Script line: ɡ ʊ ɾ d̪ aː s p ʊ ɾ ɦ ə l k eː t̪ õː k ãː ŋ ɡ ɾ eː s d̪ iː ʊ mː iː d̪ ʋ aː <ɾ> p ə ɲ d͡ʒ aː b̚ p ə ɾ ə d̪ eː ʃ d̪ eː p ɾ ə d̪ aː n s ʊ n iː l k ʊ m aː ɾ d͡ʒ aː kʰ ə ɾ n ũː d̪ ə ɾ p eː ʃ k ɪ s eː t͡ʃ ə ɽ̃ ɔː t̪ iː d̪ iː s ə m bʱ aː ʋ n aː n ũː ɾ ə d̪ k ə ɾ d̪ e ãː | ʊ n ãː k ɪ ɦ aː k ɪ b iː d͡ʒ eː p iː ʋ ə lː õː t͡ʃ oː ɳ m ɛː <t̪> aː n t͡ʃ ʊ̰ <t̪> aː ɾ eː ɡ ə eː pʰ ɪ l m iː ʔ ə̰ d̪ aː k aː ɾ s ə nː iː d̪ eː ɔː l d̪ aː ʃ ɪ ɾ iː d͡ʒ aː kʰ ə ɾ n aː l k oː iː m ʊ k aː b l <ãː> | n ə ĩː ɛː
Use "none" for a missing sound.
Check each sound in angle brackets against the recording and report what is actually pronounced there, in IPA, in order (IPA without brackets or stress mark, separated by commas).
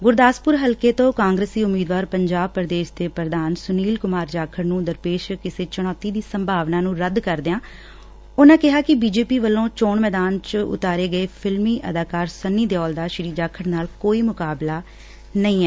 ɾ, d̪, t̪, aː